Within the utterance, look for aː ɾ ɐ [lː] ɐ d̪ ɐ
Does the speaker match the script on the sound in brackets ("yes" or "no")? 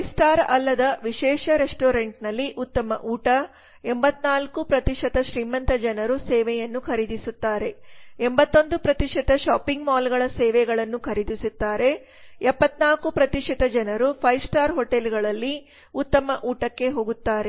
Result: yes